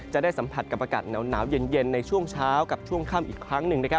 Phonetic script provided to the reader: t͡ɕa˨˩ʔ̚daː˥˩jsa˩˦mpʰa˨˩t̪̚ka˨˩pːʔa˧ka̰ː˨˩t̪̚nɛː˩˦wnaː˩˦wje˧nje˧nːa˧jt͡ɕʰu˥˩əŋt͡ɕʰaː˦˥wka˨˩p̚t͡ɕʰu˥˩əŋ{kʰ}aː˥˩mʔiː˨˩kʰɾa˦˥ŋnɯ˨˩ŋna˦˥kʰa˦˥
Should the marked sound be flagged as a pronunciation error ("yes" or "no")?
no